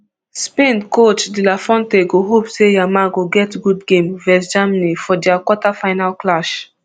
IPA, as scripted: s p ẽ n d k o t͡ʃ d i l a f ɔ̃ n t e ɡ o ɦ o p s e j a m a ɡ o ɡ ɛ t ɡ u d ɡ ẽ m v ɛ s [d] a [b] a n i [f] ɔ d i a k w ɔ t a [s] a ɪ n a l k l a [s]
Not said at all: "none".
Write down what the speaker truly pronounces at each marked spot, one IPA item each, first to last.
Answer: d͡ʒ, m, f, f, ʃ

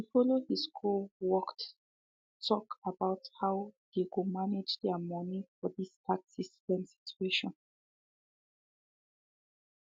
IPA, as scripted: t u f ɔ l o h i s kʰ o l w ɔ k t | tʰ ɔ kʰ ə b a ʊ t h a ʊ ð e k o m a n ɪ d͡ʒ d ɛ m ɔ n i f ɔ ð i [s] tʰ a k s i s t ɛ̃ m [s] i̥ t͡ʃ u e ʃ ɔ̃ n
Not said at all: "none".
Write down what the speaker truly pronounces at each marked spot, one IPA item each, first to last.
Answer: s, s

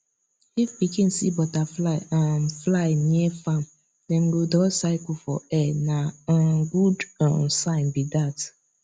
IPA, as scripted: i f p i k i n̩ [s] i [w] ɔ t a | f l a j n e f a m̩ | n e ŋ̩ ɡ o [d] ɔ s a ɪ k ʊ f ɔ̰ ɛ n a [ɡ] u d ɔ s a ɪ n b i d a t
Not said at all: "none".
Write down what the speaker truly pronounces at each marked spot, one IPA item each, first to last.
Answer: s, b, d, ɡ

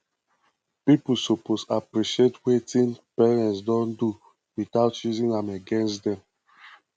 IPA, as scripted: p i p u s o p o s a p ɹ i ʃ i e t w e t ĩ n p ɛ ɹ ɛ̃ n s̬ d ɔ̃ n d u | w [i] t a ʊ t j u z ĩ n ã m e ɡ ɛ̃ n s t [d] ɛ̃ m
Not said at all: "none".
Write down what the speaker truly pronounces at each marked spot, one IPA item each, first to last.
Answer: i, d

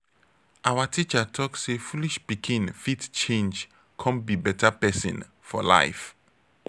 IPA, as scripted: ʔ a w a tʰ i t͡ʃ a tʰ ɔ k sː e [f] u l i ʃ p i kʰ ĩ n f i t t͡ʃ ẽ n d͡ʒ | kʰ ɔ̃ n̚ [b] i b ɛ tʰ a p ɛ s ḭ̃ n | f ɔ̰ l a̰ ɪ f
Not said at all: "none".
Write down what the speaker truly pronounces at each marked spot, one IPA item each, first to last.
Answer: f, b

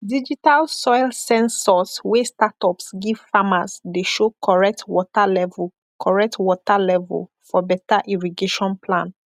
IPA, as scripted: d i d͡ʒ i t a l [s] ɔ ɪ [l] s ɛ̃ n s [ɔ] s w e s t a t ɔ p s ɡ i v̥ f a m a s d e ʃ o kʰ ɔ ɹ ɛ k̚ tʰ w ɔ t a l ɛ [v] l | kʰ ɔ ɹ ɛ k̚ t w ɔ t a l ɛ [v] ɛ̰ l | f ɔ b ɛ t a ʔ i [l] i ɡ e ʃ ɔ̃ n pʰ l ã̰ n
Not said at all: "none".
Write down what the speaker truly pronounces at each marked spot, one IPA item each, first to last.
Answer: s, l, ɔ, v, v, ɹ

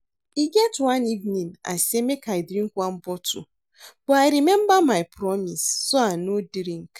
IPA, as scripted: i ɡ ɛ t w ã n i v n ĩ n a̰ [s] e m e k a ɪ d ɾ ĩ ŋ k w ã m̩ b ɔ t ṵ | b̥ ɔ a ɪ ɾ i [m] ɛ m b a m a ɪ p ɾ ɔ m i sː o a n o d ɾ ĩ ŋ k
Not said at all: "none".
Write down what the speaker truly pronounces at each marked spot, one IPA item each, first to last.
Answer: s, m

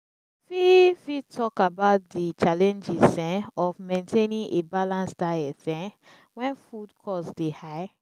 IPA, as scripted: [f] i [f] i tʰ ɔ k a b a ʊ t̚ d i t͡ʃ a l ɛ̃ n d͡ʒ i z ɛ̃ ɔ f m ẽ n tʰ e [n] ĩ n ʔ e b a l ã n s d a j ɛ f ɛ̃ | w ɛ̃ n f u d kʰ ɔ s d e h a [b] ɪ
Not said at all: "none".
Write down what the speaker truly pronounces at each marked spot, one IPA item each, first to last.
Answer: f, f, n, none

